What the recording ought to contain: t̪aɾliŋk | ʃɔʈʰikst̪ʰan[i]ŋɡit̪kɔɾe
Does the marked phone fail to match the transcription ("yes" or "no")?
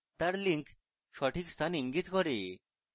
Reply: no